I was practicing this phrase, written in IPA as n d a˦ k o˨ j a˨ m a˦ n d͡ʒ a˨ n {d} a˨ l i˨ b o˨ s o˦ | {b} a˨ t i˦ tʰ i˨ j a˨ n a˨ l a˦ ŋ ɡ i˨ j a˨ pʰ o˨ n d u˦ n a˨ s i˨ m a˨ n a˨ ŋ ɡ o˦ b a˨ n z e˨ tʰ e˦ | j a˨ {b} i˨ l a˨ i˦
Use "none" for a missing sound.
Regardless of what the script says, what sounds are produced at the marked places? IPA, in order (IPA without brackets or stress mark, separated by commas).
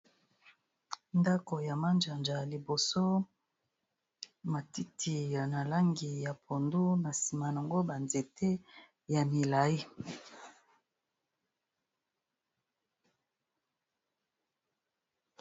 d͡ʒ, m, m